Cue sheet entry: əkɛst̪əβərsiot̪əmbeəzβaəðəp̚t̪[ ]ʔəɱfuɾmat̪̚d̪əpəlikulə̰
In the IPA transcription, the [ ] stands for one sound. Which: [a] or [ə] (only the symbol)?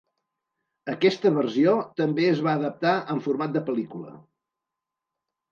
a